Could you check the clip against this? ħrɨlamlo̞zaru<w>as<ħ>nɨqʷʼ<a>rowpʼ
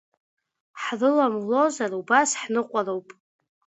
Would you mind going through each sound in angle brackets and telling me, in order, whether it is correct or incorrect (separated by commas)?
incorrect, correct, correct